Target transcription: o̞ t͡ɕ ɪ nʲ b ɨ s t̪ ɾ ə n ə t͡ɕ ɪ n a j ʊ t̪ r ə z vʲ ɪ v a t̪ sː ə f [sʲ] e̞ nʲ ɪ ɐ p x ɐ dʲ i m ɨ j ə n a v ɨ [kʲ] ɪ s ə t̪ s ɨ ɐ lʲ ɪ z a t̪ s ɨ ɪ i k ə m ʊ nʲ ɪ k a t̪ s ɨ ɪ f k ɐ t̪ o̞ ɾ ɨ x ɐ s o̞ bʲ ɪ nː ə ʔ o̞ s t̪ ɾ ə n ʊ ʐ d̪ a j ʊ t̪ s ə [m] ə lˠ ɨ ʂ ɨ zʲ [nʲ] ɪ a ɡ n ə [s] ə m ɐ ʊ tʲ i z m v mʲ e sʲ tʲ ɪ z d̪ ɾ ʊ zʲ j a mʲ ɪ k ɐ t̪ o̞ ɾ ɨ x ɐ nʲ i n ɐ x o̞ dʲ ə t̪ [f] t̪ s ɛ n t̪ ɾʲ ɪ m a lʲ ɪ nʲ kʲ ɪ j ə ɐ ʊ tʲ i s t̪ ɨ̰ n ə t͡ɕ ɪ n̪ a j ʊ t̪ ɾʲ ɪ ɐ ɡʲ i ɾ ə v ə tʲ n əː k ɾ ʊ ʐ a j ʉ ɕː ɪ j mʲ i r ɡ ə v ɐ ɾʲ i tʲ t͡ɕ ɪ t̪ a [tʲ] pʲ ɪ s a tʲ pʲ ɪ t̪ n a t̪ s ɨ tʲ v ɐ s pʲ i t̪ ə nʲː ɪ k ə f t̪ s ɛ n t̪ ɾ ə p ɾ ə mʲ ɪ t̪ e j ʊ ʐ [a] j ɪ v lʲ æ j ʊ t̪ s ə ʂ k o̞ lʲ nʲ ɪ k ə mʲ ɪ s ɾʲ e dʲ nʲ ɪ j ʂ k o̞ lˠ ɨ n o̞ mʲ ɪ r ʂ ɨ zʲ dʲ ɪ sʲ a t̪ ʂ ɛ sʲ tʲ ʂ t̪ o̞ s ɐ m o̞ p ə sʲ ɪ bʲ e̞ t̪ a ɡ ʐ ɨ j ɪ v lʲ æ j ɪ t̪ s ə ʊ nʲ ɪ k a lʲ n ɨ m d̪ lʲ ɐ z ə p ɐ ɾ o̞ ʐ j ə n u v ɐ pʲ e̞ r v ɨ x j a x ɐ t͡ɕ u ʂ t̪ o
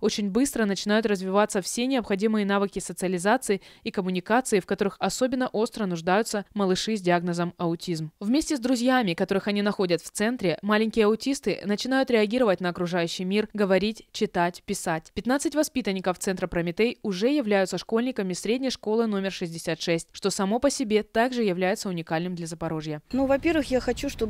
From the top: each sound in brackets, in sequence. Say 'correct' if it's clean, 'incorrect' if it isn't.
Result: correct, correct, correct, incorrect: dʲ, incorrect: z, correct, correct, incorrect: ɛ

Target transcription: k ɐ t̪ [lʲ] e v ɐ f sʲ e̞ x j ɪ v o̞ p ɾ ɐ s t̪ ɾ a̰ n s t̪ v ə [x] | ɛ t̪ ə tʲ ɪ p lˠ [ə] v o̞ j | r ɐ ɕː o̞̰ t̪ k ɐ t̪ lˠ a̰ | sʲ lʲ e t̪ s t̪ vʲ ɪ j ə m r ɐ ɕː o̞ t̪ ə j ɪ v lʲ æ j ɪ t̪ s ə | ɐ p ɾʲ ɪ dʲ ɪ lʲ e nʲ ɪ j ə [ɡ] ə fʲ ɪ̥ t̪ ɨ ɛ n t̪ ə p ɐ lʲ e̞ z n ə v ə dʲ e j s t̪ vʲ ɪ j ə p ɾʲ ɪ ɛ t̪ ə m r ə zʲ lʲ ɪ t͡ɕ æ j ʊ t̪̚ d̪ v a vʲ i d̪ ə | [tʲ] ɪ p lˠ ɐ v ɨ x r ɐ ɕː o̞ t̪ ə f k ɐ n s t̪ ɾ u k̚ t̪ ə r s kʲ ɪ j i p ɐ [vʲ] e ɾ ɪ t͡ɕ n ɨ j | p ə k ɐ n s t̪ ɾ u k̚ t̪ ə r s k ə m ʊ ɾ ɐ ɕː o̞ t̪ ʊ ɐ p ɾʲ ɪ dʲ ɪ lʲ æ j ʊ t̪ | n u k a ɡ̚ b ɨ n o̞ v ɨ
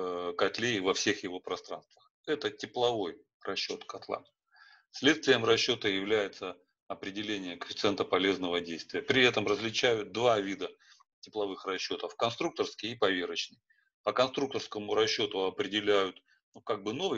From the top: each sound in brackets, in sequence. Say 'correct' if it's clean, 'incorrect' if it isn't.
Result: correct, correct, incorrect: ɐ, incorrect: k, correct, correct

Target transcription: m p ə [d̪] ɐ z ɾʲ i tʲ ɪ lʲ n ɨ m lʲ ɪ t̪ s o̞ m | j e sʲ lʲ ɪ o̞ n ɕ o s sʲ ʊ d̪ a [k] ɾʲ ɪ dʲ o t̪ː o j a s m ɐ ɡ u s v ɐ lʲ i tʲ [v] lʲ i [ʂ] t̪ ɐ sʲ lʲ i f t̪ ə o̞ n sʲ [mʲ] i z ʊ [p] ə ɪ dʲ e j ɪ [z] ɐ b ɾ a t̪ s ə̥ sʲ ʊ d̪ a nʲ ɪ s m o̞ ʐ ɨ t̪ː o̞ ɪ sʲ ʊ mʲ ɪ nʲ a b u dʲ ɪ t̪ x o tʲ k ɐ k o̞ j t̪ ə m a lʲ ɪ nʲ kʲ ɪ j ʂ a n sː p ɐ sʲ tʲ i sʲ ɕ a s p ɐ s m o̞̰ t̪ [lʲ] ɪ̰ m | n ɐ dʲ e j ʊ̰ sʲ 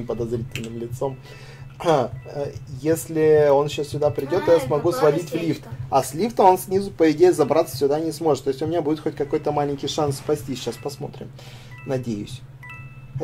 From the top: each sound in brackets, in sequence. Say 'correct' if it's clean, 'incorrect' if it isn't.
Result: correct, incorrect: p, correct, incorrect: f, incorrect: nʲ, correct, correct, incorrect: ɾʲ

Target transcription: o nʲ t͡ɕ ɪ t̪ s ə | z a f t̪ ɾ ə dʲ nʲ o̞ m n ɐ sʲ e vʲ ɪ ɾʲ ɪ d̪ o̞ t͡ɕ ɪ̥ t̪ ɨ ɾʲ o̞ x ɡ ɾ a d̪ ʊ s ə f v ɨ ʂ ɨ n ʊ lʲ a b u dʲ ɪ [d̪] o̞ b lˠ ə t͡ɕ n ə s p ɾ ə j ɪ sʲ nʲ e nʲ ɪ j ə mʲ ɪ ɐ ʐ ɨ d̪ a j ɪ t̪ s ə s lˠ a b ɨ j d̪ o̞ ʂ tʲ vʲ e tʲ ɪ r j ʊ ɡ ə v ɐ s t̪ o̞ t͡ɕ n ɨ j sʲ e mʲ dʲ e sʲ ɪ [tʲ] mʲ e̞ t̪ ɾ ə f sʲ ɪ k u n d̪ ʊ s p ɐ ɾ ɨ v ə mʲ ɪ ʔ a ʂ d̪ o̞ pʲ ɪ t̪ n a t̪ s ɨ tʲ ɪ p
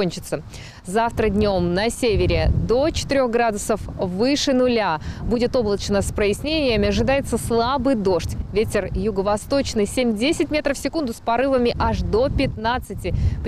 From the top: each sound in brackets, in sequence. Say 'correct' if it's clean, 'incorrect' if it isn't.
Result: incorrect: t̪, correct

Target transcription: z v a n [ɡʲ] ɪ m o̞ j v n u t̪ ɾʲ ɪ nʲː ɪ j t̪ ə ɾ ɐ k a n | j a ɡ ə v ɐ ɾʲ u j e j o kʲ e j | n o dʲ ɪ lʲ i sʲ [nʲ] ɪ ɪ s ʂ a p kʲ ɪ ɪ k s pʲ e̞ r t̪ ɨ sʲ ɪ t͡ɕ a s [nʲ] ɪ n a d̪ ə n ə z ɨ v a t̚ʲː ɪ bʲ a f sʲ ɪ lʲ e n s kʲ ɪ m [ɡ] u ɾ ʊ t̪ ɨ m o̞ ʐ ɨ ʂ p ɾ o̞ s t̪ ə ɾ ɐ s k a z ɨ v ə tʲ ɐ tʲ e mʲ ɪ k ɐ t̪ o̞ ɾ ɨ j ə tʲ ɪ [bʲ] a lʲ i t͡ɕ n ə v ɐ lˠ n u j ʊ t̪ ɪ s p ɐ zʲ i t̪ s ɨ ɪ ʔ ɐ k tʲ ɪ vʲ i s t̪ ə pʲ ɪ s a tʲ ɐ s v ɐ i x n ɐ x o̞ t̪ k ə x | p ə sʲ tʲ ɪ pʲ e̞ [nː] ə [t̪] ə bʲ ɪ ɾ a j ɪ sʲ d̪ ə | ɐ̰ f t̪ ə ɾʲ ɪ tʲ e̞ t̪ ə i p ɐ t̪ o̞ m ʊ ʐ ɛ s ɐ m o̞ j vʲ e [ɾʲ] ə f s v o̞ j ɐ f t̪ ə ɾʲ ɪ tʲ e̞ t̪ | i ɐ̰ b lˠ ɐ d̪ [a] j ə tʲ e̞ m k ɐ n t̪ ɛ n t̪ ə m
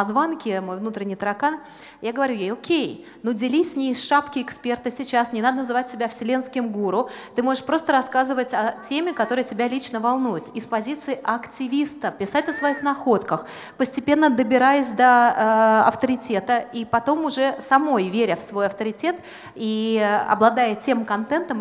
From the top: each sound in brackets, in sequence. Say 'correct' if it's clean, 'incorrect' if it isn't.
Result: incorrect: kʲ, correct, correct, correct, correct, correct, incorrect: d̪, correct, correct

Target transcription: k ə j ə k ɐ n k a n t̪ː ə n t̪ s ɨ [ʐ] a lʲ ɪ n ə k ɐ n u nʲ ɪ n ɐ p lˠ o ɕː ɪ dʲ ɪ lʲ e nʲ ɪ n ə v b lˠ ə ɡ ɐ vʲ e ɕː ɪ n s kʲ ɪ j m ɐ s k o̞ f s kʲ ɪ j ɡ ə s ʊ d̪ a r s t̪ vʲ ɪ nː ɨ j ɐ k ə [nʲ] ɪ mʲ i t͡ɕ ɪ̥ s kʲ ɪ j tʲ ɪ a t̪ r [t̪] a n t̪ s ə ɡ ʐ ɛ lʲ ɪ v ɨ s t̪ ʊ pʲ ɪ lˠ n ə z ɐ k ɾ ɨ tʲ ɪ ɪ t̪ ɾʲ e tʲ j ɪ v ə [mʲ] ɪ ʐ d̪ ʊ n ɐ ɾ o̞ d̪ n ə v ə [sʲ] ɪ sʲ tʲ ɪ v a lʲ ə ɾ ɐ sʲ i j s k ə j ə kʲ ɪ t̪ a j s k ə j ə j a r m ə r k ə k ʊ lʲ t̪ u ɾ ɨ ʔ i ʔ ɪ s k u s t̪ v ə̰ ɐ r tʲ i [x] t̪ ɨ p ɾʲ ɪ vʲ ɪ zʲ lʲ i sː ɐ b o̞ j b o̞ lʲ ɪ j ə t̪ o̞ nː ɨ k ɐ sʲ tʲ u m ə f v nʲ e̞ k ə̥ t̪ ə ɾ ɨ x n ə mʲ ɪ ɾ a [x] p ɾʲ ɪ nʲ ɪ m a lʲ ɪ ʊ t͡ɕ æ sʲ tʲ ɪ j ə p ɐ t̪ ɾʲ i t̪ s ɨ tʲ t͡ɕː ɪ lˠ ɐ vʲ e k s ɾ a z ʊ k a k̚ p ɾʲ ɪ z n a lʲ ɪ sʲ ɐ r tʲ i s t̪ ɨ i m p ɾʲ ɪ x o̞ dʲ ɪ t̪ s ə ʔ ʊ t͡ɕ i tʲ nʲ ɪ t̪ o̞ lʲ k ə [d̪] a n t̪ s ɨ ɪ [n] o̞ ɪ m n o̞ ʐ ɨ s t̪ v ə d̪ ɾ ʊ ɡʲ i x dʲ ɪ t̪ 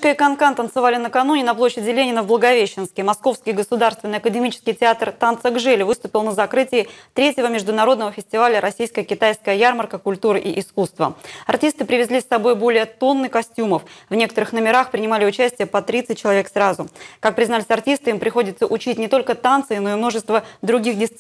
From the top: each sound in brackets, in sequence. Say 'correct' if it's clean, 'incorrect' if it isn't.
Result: incorrect: v, incorrect: dʲ, correct, correct, incorrect: fʲ, incorrect: s, correct, incorrect: t̪, correct

